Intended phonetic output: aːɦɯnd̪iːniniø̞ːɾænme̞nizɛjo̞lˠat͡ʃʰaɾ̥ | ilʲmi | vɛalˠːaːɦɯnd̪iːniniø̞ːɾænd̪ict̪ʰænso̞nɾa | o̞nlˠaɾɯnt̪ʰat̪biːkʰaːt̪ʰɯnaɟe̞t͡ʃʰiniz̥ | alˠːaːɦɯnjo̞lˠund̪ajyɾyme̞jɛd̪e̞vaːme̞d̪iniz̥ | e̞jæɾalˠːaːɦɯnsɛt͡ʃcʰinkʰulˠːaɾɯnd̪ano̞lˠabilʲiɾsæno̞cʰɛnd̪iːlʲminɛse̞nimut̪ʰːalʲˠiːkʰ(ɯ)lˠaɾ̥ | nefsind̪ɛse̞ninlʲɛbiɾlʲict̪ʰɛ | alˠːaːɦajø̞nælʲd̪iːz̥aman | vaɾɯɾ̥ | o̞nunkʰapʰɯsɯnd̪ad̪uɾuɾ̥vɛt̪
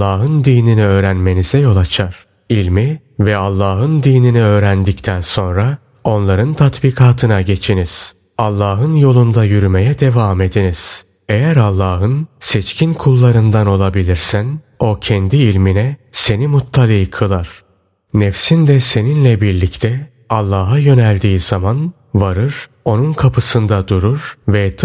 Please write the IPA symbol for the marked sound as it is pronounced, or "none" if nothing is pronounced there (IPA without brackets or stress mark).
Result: ɯ